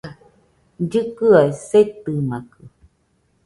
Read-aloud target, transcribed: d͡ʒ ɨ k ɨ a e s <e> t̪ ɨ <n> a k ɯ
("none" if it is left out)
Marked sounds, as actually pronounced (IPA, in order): e, m

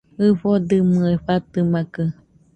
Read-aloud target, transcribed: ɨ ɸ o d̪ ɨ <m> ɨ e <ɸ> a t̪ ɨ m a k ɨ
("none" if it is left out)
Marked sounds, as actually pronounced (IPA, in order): m, ɸ

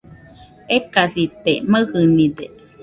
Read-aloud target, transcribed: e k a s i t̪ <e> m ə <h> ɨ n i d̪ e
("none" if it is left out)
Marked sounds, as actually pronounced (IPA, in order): e, h

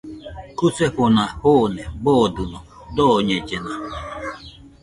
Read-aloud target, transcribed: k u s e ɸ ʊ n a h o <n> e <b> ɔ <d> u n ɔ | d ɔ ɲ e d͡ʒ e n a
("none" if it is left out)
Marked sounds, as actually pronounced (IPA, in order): n, b, d

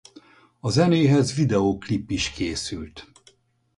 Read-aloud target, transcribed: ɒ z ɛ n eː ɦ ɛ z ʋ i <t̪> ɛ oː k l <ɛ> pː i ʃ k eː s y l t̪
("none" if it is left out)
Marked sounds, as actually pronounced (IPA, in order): d̪, i

